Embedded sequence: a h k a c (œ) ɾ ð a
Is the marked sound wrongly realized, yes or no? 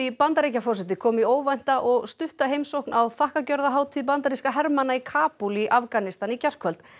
no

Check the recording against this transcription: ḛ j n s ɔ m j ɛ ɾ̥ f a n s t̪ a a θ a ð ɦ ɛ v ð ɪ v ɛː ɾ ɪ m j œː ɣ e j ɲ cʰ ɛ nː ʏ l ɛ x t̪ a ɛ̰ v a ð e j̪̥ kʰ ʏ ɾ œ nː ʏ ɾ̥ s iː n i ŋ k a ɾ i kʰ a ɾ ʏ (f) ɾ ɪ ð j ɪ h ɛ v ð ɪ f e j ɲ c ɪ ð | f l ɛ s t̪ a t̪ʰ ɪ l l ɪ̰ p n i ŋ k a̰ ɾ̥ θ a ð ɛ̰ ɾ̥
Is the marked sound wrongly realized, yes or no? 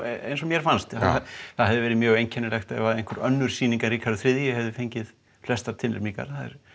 yes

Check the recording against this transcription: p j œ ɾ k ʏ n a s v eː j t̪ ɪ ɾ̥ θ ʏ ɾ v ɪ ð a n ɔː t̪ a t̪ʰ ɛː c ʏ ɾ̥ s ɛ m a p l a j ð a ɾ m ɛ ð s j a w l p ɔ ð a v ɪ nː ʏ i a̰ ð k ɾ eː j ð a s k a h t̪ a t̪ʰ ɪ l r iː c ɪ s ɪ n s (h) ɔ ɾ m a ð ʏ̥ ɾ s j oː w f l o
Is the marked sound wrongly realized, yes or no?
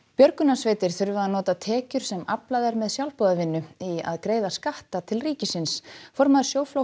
yes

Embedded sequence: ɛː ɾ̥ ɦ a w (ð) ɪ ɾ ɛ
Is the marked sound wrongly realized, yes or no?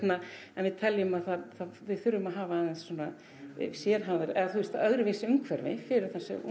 no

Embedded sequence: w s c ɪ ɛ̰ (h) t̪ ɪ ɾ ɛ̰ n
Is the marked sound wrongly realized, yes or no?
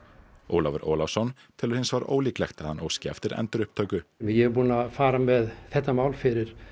yes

